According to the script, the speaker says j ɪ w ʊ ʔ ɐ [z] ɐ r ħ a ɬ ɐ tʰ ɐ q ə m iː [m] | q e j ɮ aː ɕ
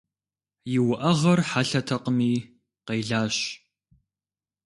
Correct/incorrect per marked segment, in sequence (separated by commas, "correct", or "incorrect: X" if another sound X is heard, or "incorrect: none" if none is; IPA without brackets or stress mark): incorrect: ʁ, incorrect: none